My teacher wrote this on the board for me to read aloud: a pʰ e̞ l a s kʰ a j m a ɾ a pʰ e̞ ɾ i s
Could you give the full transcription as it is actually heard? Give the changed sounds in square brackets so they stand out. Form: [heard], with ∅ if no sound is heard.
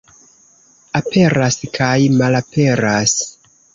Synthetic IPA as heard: a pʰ e̞ [ɾ] a s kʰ a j m a [l] a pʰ e̞ ɾ [a] s